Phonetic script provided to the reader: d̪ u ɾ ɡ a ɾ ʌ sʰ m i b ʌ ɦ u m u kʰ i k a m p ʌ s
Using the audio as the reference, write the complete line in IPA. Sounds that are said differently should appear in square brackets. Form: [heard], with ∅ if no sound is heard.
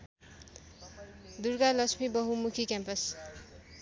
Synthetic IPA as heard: d̪ u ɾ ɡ a [l] ʌ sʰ m i b ʌ ɦ u m u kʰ i k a m p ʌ s